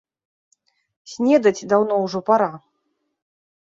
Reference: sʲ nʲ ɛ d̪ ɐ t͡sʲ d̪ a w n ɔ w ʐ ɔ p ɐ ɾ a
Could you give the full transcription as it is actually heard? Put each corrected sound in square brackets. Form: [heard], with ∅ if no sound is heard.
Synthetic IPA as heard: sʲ nʲ ɛ d̪ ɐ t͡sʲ d̪ a w n ɔ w ʐ ɔ p [a] ɾ a

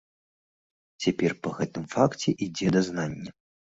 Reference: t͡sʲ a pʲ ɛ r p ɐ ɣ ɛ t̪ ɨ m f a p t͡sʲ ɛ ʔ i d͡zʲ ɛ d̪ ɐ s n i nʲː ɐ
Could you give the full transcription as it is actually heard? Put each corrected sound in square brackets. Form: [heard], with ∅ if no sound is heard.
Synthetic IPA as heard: t͡sʲ a pʲ ɛ r p ɐ ɣ ɛ t̪ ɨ m f a [k] t͡sʲ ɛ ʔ i d͡zʲ ɛ d̪ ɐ [z] n [a] nʲː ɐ

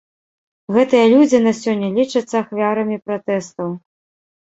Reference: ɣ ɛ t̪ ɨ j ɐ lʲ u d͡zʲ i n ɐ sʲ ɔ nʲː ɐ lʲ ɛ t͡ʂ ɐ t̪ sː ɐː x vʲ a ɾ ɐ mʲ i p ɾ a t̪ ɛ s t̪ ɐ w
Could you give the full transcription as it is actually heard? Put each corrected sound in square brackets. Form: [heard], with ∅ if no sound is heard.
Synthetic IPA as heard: ɣ ɛ t̪ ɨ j ɐ lʲ u d͡zʲ i n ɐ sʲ ɔ nʲː ɐ lʲ [i] t͡ʂ ɐ t̪ sː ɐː x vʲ a ɾ ɐ mʲ i p ɾ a t̪ ɛ s t̪ ɐ w

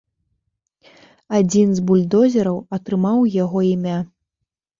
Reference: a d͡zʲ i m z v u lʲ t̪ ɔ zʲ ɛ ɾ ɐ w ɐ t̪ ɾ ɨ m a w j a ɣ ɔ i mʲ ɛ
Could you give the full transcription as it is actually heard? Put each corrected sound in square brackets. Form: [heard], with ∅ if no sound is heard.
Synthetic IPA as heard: a d͡zʲ i [n] z [b] u lʲ [d̪] ɔ zʲ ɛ ɾ ɐ w ɐ t̪ ɾ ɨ m a w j a ɣ ɔ i mʲ [a]

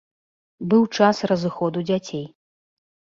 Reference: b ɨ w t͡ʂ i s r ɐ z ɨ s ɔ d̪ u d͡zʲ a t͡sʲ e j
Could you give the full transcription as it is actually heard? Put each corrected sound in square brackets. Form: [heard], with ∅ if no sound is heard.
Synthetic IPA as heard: b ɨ w t͡ʂ [a] s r ɐ z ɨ [x] ɔ d̪ u d͡zʲ a t͡sʲ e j

